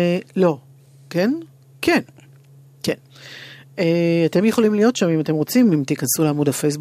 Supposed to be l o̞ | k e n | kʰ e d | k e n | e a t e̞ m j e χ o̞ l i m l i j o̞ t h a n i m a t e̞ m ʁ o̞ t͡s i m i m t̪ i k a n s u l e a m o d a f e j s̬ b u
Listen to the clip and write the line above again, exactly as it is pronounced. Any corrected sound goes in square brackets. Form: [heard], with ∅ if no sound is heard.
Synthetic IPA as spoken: l o̞ | k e n | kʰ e [n] | k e n | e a t e̞ m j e χ o̞ l i m l i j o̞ t [ʃ] a [m] i m a t e̞ m ʁ o̞ t͡s i m i m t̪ i k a n s u l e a m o d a f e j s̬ b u